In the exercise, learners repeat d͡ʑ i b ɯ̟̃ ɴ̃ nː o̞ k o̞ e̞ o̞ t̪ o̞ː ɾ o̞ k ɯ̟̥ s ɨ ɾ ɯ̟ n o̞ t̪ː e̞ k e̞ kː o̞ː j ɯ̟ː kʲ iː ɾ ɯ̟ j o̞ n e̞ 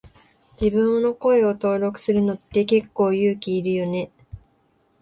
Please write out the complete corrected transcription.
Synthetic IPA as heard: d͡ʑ i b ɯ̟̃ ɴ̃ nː o̞ k o̞ e̞ o̞ t̪ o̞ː ɾ o̞ k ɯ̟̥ s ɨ ɾ ɯ̟ n o̞ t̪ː e̞ k e̞ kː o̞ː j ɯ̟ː kʲ iː ɾ ɯ̟ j o̞ n e̞